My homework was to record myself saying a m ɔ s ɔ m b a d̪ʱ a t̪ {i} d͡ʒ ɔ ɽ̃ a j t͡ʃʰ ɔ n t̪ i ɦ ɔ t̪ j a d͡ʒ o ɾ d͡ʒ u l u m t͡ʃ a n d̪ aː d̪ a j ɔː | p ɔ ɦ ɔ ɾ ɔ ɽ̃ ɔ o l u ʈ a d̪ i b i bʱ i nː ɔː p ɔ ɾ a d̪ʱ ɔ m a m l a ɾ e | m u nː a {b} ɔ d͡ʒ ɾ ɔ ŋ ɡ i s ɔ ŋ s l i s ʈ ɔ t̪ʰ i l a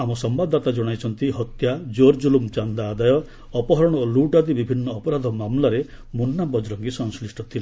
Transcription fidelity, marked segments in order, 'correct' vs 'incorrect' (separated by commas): incorrect, correct